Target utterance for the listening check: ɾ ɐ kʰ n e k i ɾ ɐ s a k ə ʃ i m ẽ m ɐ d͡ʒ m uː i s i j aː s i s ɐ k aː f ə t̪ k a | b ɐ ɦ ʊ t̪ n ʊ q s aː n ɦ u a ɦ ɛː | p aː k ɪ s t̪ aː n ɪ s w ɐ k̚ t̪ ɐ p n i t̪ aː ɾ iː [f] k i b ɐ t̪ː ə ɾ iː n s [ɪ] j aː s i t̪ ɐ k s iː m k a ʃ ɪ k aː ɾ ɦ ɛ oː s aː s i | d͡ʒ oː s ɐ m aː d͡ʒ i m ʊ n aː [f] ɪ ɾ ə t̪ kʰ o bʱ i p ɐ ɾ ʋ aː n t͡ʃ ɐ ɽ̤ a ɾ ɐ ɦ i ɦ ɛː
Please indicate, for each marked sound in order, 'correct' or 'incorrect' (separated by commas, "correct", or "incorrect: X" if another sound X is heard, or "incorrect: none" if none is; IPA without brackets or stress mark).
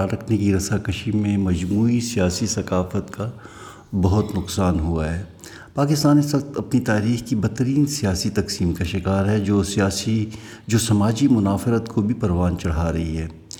incorrect: x, incorrect: i, correct